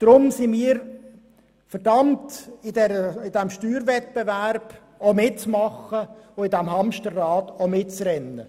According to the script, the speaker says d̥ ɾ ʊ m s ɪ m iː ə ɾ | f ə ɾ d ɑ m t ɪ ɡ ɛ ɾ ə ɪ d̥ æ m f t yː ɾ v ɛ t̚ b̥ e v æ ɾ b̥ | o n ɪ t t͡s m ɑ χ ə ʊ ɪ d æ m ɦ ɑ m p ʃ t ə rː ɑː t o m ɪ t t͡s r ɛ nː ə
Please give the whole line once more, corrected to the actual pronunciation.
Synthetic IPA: d̥ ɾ ʊ m s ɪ m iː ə ɾ | f ə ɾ d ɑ m t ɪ d ɛ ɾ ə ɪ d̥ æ m ʃ t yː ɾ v ɛ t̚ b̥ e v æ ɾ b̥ | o m ɪ t t͡s m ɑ χ ə ʊ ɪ d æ m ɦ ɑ m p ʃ t ə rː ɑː t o m ɪ t t͡s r ɛ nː ə